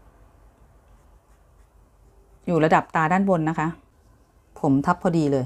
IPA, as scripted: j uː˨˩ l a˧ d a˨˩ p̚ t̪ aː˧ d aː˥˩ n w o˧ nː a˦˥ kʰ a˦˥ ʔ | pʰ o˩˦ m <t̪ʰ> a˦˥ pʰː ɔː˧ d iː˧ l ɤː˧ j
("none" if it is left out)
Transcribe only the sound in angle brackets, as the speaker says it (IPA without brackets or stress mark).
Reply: t̪ʰ